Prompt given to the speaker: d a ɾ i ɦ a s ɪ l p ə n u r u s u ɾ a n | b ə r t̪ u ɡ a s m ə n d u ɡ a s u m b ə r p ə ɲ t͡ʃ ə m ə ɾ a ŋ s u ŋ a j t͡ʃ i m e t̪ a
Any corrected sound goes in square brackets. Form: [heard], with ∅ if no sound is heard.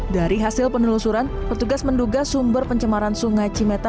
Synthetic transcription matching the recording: d a ɾ i ɦ a s ɪ l p ə n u [l] u s u ɾ a n | [p] ə r t̪ u ɡ a s m ə n d u ɡ a s u m b ə r p ə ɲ t͡ʃ ə m [a] ɾ a [n] s u ŋ a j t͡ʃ i m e t̪ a